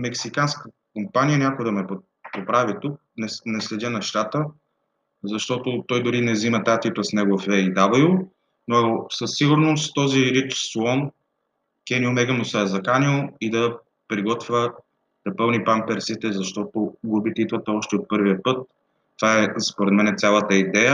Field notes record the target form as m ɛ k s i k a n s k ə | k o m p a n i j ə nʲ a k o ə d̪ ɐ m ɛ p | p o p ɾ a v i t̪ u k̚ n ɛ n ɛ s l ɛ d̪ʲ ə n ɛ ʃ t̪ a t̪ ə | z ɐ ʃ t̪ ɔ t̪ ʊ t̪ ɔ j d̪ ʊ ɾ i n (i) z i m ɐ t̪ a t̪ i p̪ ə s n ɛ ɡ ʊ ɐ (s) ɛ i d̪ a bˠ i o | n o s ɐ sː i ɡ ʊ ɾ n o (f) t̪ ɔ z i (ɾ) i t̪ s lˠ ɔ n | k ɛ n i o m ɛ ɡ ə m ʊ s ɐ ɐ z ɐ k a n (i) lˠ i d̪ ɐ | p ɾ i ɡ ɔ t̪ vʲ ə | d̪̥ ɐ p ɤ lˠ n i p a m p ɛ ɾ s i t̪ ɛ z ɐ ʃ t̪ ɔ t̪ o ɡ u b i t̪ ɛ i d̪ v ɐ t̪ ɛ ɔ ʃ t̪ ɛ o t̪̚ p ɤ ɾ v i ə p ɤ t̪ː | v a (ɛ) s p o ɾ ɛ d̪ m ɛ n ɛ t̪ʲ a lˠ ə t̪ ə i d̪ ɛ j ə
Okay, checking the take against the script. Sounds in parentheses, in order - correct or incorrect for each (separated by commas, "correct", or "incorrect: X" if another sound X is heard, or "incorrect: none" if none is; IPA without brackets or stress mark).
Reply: incorrect: ɛ, incorrect: f, incorrect: s, correct, correct, correct